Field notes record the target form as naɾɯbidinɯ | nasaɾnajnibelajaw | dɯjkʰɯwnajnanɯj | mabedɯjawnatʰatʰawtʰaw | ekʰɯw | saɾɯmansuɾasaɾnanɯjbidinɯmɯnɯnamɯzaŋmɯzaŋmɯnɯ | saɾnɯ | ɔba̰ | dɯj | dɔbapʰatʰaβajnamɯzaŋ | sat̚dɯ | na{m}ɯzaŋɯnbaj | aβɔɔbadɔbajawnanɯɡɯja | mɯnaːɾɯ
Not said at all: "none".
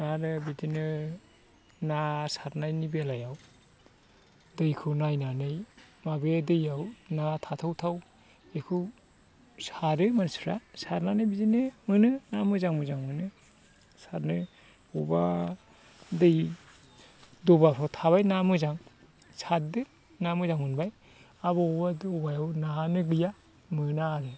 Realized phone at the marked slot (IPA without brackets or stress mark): m